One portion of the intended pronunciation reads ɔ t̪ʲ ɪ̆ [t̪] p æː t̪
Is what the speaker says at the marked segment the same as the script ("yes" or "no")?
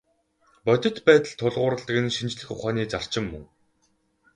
yes